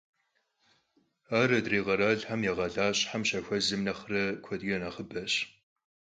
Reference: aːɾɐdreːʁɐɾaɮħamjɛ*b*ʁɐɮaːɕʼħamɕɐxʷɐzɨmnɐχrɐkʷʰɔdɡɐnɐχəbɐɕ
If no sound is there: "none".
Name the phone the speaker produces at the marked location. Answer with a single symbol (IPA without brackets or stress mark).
none